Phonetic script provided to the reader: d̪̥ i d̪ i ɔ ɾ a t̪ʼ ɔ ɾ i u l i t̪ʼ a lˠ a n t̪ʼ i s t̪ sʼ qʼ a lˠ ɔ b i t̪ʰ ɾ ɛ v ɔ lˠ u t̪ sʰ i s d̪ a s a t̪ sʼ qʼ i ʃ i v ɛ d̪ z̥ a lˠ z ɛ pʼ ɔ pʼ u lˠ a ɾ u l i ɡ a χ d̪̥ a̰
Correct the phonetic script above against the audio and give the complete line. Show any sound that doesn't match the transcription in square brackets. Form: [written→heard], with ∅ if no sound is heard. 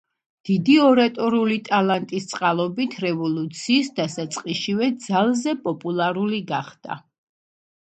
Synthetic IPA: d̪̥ i d̪ i ɔ ɾ a t̪ʼ ɔ ɾ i u l i t̪ʼ a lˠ a n t̪ʼ i s t̪ sʼ qʼ a lˠ ɔ b i t̪ʰ ɾ ɛ v ɔ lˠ u t̪ sʰ [i→iː] s d̪ a s a t̪ sʼ qʼ i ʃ i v ɛ d̪ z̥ a lˠ z ɛ pʼ ɔ pʼ u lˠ a ɾ u l i ɡ a χ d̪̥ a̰